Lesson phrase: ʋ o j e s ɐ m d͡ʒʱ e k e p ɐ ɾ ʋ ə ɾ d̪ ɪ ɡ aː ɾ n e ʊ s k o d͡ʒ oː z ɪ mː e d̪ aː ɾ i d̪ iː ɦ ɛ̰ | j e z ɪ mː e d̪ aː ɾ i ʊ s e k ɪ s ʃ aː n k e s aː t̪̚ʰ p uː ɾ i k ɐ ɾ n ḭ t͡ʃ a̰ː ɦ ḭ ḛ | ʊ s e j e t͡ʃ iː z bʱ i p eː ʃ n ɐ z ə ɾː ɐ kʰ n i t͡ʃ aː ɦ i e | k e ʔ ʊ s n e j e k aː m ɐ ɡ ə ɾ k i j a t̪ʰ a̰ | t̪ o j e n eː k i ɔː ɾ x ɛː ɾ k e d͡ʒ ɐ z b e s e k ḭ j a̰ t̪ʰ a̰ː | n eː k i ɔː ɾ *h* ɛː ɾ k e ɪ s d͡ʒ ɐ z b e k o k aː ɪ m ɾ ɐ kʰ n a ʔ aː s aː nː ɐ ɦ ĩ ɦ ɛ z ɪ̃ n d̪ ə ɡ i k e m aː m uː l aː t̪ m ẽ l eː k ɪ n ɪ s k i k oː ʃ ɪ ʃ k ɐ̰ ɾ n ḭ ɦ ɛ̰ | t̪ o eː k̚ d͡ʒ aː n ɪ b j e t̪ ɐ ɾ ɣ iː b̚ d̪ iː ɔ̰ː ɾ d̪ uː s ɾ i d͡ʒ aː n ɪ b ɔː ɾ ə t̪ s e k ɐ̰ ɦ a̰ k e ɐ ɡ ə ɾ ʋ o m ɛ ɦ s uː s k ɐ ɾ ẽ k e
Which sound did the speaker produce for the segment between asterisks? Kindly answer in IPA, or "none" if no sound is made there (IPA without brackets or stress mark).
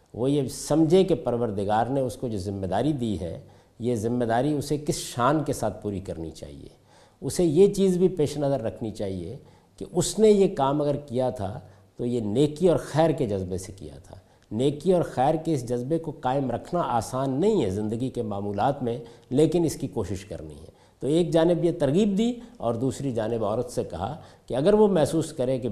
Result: x